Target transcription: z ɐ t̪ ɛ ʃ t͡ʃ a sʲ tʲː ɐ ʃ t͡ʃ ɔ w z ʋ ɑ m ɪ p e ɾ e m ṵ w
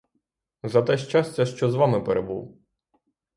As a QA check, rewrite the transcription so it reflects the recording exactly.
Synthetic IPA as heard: z ɐ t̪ ɛ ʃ t͡ʃ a sʲ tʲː ɐ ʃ t͡ʃ ɔ z ʋ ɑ m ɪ p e ɾ e b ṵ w